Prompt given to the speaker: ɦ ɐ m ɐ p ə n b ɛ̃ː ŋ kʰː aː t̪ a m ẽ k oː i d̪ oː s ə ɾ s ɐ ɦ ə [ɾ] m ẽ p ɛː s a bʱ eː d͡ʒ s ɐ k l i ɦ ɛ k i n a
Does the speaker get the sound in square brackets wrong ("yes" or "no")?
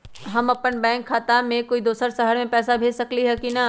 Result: no